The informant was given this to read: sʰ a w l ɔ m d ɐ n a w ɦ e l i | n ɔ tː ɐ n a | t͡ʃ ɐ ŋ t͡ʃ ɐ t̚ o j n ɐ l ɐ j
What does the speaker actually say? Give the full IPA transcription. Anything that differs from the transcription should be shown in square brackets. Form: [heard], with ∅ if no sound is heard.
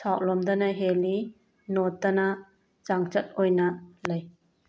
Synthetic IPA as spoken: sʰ a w l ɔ m d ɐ n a [∅] ɦ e l i | n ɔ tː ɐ n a | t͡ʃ [a] ŋ t͡ʃ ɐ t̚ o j n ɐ l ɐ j